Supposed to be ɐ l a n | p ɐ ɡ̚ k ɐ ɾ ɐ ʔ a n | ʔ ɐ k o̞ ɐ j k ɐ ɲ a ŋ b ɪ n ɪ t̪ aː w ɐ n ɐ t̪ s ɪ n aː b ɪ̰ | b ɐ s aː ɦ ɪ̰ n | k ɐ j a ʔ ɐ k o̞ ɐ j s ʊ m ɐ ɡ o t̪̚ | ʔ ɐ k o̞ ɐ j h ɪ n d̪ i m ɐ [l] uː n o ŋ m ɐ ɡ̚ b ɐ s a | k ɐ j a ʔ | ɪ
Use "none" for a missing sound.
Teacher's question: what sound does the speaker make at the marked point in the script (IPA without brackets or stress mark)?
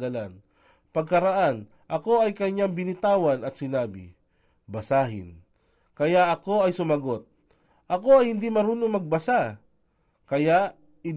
ɾ